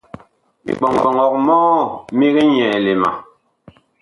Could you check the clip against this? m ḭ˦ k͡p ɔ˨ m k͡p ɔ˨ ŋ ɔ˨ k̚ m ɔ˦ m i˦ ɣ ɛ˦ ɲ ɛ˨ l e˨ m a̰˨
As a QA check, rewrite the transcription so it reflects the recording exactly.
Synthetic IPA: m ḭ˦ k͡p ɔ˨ ŋ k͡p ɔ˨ ŋ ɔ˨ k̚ m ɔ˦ m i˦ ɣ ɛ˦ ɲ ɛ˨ l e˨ m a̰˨